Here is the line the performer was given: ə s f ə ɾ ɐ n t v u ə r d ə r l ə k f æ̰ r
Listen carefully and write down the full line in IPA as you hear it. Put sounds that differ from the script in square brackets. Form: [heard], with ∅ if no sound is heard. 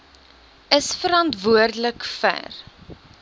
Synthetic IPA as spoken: ə s f ə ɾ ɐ n t v u ə r d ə [∅] l ə k f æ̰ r